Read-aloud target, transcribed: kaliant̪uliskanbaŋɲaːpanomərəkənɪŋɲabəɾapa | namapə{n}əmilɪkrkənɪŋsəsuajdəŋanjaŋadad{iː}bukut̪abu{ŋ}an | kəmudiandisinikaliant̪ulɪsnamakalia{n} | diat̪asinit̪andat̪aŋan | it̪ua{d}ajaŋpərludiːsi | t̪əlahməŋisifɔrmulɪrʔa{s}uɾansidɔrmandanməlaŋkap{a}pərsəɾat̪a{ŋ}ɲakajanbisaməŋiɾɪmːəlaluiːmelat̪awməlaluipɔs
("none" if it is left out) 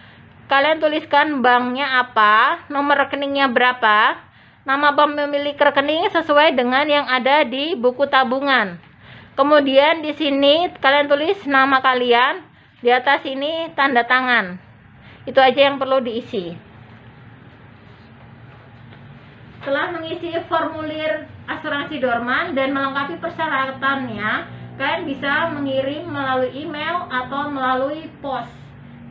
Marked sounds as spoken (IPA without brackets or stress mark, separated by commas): m, i, ŋ, n, d͡ʒ, s, i, n